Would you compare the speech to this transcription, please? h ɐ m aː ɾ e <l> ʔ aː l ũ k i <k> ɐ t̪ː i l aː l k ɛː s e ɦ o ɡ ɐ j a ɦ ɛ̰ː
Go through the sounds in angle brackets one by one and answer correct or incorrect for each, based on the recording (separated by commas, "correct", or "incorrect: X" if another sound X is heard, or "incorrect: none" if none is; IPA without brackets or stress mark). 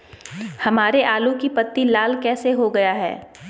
incorrect: none, incorrect: p